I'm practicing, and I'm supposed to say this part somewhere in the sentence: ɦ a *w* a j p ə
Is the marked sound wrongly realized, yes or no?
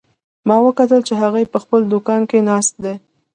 yes